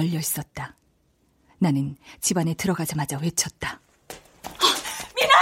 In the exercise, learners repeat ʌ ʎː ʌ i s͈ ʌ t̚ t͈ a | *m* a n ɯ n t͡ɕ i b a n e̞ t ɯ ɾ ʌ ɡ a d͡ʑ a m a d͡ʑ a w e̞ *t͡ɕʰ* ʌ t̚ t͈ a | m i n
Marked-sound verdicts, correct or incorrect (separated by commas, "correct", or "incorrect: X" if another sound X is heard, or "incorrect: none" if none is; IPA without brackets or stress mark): incorrect: n, correct